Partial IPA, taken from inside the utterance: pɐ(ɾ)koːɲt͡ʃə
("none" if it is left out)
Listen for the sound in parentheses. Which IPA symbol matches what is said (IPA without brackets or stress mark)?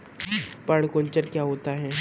ɽ